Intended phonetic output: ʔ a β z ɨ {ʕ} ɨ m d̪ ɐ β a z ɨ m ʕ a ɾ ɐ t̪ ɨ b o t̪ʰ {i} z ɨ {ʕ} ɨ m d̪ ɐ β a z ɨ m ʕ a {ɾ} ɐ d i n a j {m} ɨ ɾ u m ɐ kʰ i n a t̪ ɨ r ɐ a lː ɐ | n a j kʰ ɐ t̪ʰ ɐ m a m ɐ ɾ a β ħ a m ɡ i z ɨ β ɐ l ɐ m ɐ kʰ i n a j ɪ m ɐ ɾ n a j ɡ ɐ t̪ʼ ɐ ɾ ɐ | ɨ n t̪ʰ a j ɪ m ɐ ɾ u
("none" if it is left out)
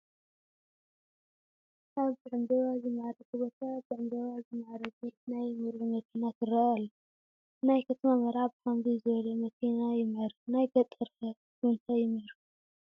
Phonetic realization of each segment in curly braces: ʕ, a, ʕ, ɾ, m

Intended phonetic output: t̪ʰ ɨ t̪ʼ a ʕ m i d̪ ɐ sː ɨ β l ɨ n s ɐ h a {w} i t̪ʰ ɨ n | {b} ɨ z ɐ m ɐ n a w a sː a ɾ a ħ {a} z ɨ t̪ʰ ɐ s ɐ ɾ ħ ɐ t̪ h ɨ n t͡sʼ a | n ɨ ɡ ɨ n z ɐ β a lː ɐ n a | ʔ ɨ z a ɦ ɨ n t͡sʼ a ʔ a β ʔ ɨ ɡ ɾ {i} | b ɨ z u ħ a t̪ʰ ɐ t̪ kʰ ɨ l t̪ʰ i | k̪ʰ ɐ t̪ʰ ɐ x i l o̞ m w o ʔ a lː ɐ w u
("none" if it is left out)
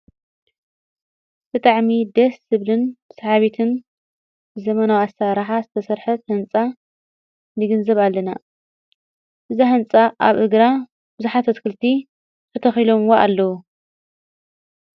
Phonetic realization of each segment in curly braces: β, b, a, a

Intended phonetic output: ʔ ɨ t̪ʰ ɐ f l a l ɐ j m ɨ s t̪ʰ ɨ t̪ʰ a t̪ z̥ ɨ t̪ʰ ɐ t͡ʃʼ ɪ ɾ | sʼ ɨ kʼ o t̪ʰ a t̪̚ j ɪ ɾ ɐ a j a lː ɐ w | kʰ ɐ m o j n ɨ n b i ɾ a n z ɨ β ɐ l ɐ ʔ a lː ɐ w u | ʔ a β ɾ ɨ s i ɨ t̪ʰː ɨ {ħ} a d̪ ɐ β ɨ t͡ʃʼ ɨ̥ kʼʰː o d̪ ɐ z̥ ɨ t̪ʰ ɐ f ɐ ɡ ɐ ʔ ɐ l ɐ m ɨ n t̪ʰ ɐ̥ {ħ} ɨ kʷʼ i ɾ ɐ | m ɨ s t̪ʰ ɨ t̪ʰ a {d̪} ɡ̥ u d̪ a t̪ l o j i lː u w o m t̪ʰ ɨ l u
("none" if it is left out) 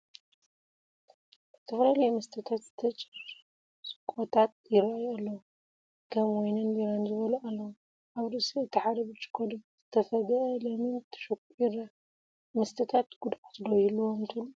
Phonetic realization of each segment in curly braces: ħ, ʃ, t̪

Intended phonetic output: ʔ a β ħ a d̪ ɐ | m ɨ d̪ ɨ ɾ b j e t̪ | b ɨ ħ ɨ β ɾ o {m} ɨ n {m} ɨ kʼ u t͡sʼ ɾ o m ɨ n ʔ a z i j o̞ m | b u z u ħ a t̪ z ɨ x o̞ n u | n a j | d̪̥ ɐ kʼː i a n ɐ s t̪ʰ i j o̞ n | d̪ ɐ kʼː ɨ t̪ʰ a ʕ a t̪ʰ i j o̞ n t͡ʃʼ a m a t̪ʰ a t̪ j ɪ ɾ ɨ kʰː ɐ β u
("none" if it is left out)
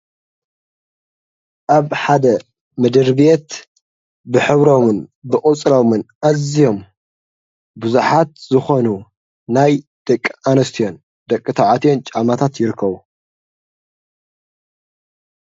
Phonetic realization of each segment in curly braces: m, b

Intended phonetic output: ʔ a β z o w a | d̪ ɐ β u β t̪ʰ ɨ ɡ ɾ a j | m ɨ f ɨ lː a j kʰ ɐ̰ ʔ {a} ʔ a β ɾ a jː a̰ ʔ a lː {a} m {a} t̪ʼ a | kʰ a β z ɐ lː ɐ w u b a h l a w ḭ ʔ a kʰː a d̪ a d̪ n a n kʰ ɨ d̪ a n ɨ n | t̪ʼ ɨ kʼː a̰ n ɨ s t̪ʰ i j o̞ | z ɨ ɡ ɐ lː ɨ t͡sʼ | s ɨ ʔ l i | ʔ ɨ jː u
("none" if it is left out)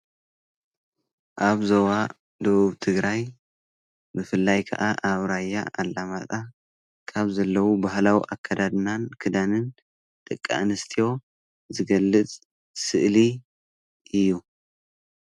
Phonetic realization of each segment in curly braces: a, a, a

